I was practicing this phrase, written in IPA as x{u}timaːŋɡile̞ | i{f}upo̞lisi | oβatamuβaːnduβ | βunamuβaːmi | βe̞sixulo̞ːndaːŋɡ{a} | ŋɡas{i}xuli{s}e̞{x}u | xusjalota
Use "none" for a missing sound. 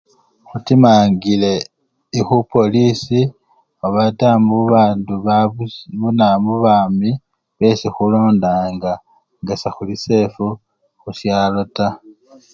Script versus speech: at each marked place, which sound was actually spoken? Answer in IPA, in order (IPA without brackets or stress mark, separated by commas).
u, x, a, a, s, f